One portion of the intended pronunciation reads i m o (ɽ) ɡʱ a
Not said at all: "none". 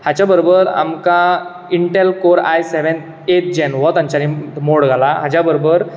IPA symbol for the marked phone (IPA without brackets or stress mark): ɽ